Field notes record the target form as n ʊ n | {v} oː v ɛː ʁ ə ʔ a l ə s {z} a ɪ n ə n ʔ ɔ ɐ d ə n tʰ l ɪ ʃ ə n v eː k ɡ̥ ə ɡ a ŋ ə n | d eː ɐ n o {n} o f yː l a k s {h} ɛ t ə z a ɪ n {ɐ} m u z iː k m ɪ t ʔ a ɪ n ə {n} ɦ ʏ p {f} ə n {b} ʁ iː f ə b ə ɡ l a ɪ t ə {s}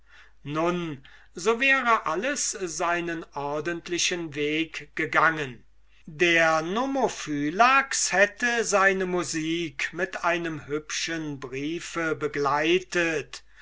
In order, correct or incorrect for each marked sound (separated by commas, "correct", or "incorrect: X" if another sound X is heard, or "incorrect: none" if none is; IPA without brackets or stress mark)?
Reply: incorrect: z, correct, incorrect: m, correct, incorrect: ə, incorrect: m, incorrect: ʃ, correct, incorrect: t